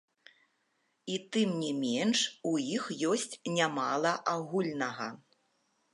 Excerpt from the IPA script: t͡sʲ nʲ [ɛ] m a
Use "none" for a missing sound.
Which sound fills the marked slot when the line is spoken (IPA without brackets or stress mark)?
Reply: a